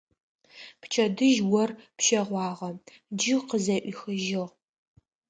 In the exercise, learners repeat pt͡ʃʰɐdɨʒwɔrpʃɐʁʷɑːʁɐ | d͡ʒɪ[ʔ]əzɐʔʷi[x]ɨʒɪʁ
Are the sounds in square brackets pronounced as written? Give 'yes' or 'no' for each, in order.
no, yes

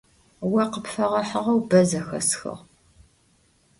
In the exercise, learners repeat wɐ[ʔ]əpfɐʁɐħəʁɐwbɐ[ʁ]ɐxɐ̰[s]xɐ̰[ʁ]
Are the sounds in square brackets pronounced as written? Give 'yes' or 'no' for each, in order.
no, no, yes, yes

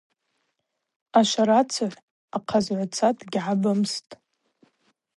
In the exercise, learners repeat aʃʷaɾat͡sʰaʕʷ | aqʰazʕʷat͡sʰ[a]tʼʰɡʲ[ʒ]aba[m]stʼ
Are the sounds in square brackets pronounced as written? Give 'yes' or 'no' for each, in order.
yes, no, yes

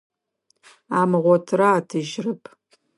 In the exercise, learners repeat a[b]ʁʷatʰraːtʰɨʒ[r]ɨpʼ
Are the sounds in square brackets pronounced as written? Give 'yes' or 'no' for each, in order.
no, yes

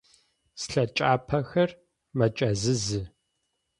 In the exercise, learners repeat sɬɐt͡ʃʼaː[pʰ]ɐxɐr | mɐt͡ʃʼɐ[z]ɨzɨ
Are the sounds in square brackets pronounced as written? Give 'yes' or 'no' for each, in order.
yes, yes

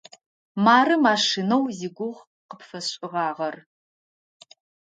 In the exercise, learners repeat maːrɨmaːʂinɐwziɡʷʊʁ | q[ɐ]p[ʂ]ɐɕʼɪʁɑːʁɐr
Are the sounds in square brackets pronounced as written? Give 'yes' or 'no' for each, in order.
no, no

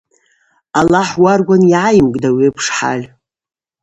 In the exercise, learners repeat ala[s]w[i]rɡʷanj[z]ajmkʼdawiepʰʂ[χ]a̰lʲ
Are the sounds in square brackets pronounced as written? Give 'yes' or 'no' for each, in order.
no, no, no, no

